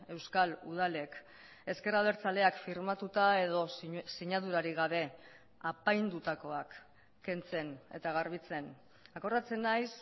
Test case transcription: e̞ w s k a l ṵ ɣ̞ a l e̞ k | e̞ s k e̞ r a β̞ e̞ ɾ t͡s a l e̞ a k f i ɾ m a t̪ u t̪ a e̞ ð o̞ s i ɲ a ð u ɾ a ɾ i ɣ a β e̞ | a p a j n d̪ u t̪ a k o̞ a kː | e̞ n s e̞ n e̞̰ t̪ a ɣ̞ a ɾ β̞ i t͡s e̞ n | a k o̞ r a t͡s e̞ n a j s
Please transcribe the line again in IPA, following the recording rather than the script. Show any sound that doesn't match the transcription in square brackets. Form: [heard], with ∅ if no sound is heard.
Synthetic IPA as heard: e̞ w s k a l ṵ [ð̞] a l e̞ k | e̞ s k e̞ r a β̞ e̞ ɾ t͡s a l e̞ a k f i ɾ m a t̪ u t̪ a e̞ ð o̞ s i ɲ a ð u ɾ a ɾ i ɣ a β e̞ | a p a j n d̪ u t̪ a k o̞ a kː | e̞ n [t͡s] e̞ n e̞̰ t̪ a ɣ̞ a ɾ β̞ i t͡s e̞ n | a k o̞ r a t͡s e̞ n a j s